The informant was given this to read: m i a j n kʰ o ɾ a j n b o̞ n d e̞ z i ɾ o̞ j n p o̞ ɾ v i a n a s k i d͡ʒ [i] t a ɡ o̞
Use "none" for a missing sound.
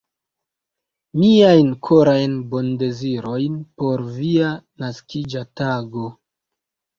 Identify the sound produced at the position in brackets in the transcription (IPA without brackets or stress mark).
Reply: a